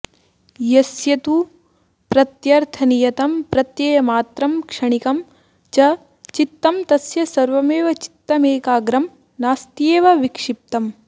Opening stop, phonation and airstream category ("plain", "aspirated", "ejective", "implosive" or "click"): plain